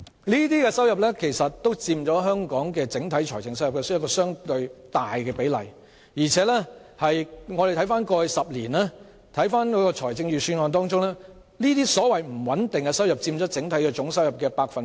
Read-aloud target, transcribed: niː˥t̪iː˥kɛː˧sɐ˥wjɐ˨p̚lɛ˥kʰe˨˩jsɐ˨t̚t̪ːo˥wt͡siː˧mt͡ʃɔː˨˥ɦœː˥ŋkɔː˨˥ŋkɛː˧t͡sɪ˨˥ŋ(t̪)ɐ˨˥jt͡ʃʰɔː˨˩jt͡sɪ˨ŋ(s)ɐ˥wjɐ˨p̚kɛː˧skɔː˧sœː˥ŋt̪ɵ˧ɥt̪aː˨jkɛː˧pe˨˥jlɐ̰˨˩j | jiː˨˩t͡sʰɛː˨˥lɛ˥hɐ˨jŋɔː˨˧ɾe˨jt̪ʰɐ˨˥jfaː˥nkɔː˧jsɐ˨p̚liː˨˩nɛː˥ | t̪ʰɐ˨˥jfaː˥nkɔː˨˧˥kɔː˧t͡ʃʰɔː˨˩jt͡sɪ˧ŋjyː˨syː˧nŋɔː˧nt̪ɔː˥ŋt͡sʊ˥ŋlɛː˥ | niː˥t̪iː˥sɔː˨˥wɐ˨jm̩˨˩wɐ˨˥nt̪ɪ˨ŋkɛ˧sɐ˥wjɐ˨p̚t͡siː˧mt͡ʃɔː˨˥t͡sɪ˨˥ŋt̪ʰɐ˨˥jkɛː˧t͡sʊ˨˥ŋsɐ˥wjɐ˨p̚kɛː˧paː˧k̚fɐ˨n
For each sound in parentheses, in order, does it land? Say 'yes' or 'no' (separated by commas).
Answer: no, yes